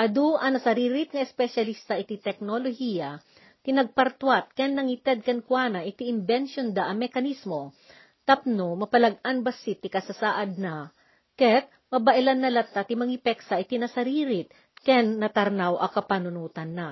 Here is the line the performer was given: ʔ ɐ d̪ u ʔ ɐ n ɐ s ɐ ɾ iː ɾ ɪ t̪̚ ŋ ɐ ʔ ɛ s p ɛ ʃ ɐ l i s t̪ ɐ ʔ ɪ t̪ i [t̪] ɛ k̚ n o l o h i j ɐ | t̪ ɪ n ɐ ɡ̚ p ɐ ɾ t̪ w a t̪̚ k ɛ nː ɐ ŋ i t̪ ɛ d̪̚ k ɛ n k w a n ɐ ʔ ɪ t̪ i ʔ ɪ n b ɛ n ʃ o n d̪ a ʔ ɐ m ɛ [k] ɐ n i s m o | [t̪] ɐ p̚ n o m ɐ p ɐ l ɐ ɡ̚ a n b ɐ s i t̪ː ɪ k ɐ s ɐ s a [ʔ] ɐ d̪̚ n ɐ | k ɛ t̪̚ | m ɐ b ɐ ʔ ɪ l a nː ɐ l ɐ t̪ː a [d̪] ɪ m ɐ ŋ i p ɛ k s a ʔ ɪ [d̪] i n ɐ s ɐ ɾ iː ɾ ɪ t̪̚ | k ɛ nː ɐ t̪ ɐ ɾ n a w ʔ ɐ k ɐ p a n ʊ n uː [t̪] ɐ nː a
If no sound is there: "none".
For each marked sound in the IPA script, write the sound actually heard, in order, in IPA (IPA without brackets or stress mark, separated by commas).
t̪, k, t̪, ʔ, t̪, t̪, t̪